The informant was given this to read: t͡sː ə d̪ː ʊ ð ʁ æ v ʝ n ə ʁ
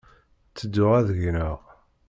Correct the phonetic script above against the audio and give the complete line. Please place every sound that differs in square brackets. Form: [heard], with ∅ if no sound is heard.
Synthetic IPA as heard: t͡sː ə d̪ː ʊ [∅] ʁ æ [ð] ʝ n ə ʁ